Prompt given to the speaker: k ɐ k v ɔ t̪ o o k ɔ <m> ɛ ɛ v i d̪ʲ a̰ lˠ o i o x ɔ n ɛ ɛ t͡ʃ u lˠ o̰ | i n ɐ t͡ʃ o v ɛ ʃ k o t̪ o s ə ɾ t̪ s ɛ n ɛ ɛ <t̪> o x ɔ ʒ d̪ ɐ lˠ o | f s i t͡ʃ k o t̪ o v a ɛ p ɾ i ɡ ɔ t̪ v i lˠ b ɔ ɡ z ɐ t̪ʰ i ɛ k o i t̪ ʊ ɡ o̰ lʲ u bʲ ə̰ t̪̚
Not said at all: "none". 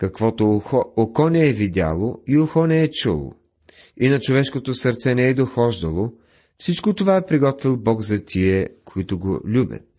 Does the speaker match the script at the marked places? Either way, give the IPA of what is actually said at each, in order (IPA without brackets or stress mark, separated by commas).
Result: n, d̪